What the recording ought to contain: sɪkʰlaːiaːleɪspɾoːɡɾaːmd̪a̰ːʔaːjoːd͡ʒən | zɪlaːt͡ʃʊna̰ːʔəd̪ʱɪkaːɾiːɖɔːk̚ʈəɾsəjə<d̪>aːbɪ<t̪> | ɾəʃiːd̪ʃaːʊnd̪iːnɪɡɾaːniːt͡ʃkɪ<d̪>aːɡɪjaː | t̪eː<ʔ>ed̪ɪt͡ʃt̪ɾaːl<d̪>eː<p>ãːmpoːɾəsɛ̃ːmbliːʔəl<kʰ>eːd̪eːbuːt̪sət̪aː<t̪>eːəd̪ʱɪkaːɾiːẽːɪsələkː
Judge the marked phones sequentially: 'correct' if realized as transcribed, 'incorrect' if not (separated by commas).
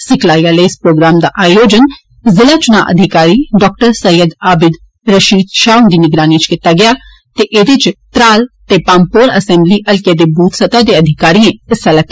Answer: correct, incorrect, incorrect, correct, incorrect, correct, incorrect, incorrect